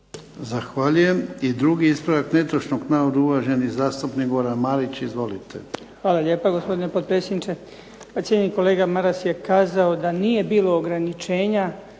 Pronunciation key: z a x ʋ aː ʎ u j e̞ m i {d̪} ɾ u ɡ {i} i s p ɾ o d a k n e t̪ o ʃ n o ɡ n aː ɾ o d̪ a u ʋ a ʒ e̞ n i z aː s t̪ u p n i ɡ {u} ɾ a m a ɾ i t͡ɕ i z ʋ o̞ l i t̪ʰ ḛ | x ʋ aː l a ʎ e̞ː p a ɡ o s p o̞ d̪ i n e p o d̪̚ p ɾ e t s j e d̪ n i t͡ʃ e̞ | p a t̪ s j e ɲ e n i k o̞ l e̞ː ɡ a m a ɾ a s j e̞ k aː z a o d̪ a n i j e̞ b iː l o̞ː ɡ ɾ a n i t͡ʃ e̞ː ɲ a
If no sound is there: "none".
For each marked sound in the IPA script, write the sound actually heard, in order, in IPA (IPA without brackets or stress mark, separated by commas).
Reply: d̪, i, o